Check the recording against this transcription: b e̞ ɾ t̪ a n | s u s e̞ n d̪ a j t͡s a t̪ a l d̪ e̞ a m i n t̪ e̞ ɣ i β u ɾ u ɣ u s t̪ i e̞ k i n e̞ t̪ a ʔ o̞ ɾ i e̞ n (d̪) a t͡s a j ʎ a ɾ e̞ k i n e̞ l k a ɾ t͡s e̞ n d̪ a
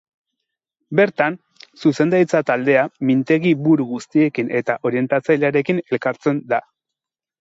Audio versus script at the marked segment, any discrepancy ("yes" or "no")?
yes